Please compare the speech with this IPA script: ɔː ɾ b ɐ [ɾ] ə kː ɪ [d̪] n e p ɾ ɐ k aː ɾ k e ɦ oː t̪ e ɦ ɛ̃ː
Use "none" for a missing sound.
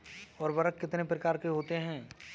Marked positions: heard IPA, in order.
ɾ, t̪

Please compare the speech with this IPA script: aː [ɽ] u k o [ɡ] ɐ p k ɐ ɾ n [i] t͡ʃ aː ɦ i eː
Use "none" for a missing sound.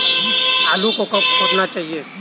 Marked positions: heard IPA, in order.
l, k, a

